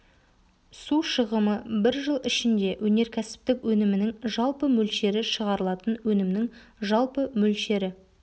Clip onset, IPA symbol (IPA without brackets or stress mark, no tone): s